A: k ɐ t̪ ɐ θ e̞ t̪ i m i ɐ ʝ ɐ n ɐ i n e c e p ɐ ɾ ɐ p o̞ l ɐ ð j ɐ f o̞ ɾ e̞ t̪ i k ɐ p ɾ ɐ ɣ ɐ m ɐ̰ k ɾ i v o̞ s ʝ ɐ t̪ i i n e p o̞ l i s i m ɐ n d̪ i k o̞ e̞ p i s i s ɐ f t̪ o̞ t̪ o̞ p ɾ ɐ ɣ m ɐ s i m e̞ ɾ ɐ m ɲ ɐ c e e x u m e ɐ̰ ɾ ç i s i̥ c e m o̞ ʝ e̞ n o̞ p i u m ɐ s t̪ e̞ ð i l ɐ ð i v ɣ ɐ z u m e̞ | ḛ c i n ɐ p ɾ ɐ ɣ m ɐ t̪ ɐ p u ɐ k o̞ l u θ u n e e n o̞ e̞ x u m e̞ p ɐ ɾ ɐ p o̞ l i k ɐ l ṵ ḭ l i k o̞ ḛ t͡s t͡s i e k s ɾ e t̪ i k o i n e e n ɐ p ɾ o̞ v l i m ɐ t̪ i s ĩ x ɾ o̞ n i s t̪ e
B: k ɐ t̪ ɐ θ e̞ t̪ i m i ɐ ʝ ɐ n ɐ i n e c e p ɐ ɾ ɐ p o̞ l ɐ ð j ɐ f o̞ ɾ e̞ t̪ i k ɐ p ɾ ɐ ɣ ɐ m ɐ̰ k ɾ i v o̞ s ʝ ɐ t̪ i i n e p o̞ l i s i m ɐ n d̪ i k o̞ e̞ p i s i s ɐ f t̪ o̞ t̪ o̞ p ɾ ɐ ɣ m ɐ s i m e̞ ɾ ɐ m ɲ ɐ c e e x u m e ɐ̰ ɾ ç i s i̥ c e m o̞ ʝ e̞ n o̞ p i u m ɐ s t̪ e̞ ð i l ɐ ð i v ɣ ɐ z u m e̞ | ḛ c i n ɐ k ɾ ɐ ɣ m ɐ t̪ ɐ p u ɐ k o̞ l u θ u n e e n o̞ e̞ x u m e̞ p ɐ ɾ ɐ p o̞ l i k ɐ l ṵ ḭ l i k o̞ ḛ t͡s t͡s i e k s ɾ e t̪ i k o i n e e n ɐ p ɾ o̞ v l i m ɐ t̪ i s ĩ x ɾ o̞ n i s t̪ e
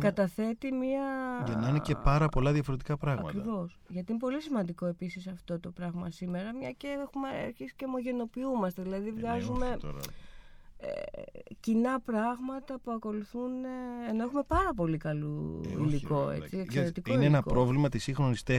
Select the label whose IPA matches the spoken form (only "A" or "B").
A